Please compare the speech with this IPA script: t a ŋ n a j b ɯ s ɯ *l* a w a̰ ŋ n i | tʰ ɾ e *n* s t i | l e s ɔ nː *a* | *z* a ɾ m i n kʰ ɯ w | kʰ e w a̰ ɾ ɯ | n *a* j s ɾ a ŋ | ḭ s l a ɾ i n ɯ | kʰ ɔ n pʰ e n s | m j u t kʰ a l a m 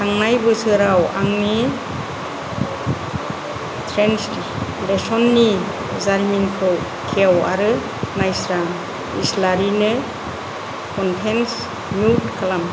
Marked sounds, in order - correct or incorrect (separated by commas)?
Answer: incorrect, correct, incorrect, correct, correct